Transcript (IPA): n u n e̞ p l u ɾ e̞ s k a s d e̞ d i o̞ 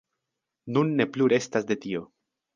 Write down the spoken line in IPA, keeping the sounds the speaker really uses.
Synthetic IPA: n u nː e̞ p l u ɾ e̞ s t a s d e̞ t i o̞